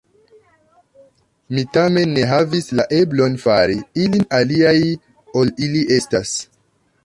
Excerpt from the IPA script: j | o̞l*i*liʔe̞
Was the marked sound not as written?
no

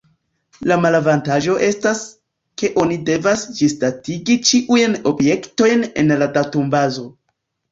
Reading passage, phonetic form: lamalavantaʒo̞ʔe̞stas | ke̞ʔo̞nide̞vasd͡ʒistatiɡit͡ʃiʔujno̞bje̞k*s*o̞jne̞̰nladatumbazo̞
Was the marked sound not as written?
yes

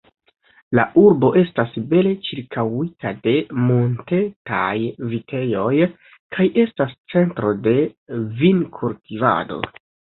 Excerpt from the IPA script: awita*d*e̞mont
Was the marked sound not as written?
no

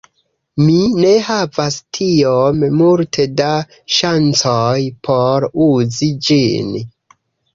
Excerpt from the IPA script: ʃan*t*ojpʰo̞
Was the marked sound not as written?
yes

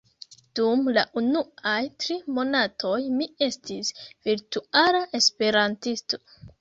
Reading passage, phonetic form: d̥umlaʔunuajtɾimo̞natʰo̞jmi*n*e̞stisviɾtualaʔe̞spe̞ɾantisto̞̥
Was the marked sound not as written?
yes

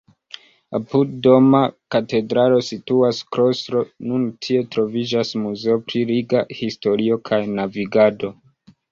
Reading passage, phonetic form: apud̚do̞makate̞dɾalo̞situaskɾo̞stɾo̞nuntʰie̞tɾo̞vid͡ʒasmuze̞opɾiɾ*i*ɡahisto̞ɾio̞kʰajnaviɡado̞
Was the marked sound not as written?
no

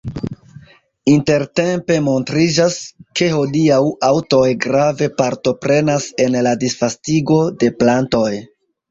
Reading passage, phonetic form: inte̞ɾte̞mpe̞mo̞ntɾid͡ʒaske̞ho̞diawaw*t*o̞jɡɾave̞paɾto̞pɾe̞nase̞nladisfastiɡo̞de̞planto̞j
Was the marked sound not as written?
no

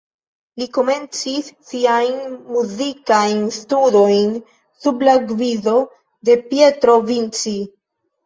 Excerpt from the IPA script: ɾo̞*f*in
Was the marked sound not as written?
yes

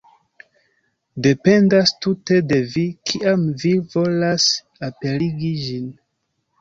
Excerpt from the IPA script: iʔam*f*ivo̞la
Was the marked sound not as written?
yes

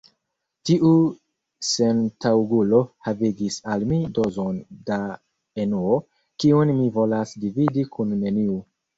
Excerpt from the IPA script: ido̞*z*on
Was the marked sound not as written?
no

